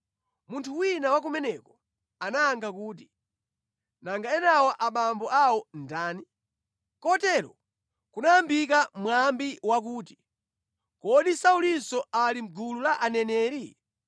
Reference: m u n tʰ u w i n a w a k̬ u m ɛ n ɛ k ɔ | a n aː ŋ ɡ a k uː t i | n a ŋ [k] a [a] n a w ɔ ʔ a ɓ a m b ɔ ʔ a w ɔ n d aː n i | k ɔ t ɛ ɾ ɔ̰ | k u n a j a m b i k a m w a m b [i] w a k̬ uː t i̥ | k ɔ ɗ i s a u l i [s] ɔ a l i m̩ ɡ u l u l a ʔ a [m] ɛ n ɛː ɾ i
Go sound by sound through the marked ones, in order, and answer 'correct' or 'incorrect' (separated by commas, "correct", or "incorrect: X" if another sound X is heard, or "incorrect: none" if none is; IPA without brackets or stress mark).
incorrect: ɡ, incorrect: ɛ, correct, correct, incorrect: n